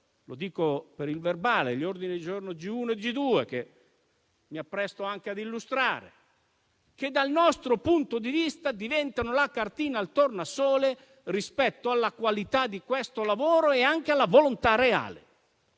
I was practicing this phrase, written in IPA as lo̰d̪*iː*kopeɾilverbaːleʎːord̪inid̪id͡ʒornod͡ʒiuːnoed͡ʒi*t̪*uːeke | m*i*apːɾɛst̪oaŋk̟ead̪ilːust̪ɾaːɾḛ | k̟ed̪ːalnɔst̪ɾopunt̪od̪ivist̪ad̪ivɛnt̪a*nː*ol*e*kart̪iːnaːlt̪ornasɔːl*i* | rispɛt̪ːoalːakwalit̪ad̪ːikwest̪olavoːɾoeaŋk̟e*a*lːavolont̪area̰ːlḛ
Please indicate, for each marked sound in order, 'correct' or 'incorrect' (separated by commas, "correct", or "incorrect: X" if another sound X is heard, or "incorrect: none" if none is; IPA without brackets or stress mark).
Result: correct, incorrect: d̪, correct, incorrect: n, incorrect: a, incorrect: e, correct